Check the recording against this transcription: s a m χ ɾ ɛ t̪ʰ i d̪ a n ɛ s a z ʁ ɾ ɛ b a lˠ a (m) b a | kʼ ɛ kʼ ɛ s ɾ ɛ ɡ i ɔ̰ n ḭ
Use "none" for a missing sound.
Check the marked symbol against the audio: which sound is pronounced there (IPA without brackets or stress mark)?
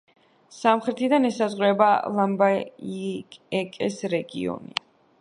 m